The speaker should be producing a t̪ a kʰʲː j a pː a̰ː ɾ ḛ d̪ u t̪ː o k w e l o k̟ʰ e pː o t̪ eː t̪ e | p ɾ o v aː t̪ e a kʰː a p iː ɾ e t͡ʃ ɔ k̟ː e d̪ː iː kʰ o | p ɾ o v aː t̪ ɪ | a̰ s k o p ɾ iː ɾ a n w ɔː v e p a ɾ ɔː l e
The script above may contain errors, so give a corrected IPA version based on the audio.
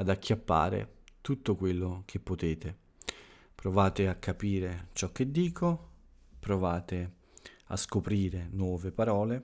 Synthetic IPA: a d̪ a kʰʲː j a pː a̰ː ɾ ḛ t̪ u t̪ː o k w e lː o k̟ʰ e pː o t̪ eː t̪ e | p ɾ o v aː t̪ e a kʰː a p iː ɾ e t͡ʃ ɔ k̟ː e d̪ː iː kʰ o | p ɾ o v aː t̪ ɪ | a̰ s k o p ɾ iː ɾ e n w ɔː v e p a ɾ ɔː l e